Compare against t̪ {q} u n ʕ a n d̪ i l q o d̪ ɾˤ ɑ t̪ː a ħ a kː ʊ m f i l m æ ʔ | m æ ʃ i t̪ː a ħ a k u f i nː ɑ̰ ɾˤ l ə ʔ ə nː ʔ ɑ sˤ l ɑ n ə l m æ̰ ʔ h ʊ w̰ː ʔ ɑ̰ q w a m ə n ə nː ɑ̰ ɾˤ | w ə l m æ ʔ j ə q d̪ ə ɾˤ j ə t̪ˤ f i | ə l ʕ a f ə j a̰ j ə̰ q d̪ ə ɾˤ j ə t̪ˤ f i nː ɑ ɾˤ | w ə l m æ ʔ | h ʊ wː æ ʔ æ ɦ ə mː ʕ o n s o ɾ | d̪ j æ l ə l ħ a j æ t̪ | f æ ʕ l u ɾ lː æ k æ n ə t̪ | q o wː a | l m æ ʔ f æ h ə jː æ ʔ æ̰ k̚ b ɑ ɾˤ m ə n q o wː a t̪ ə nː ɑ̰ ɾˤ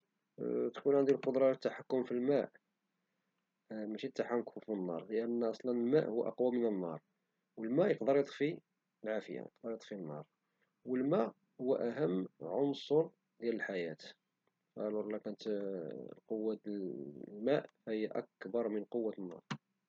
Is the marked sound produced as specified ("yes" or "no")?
no